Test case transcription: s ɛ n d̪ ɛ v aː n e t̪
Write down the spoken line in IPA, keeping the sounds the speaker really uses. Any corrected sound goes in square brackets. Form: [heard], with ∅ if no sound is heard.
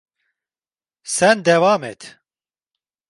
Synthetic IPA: s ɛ n d̪ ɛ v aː [m] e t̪